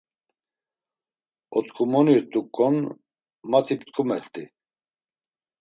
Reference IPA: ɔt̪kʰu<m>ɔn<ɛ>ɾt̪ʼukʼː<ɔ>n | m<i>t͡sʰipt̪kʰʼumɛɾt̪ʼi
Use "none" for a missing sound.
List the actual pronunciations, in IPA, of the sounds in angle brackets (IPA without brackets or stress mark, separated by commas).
m, i, ɔ, a